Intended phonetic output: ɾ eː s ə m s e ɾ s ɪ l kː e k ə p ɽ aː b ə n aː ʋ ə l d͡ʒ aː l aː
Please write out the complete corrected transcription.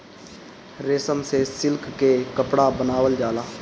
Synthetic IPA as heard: ɾ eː s ə m s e s ɪ l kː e k ə p ɽ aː b ə n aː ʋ ə l d͡ʒ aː l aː